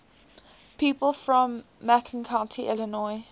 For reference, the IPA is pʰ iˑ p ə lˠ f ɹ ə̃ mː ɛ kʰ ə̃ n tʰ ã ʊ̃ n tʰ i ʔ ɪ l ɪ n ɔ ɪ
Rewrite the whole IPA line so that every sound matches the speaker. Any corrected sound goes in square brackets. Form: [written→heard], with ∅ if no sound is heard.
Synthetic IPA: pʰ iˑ p ə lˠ f ɹ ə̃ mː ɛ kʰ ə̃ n [tʰ→kʰ] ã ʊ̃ n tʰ i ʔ ɪ l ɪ n ɔ ɪ